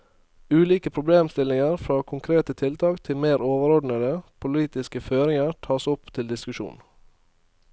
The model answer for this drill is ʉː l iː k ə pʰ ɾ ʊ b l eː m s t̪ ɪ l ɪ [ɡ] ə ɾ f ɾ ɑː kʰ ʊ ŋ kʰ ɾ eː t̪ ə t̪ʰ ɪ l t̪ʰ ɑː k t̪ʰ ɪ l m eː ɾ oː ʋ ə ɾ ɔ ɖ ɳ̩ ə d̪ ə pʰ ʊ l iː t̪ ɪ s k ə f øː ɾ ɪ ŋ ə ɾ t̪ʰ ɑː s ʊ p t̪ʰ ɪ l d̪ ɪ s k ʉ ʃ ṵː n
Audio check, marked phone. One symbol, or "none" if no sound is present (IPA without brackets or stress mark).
ŋ